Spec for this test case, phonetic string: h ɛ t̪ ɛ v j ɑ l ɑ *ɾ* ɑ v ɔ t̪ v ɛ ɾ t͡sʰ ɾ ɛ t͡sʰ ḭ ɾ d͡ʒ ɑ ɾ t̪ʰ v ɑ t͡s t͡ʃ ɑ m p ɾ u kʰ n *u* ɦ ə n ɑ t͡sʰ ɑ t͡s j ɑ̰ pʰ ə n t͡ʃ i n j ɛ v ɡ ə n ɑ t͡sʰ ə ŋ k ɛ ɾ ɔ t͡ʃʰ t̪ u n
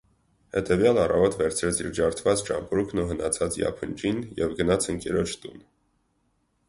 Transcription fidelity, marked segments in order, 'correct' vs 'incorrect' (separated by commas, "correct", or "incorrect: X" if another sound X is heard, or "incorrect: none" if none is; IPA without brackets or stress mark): incorrect: r, correct